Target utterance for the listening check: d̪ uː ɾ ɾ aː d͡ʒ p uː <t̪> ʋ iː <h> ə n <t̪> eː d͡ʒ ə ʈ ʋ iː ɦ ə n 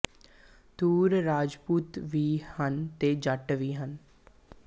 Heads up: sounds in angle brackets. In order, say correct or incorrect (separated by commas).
correct, correct, correct